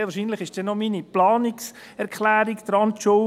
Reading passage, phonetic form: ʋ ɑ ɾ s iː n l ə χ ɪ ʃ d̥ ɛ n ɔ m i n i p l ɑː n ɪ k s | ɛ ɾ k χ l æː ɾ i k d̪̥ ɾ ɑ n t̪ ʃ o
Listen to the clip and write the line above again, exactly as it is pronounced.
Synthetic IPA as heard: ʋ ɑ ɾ ʃ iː n l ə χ ɪ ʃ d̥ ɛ n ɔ m i n i p l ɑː n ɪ k s | ɛ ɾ k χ l æː ɾ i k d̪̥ ɾ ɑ n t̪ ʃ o